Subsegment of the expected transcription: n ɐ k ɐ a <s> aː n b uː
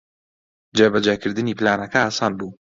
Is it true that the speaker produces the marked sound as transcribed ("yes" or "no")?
yes